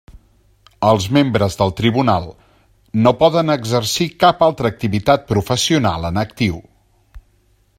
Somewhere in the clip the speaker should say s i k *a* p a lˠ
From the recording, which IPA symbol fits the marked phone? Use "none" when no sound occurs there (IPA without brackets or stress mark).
a